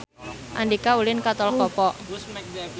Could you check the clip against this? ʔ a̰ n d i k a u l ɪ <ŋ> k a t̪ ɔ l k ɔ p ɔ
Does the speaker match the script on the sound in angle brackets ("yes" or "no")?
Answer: no